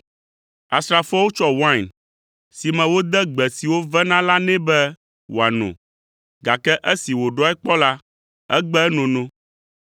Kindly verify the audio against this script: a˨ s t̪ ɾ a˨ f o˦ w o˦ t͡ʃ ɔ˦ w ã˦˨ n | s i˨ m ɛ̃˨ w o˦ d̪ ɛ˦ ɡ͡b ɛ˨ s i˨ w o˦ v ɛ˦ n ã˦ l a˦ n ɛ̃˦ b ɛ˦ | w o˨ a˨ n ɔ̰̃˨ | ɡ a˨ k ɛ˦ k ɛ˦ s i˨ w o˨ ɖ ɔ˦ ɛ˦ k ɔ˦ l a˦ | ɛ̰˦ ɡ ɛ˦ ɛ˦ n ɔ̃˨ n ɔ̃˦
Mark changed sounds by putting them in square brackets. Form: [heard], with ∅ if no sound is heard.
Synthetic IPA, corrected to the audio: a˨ s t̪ ɾ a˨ f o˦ w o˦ t͡ʃ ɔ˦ w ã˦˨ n | s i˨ m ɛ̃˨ w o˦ d̪ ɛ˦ ɡ͡b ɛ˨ s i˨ w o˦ v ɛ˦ n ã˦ l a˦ n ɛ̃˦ b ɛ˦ | w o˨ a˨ n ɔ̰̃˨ | ɡ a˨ k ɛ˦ [ʔ] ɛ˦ s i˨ w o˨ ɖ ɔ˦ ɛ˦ [k͡p] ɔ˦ l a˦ | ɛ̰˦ [ɡ͡b] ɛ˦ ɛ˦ n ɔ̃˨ n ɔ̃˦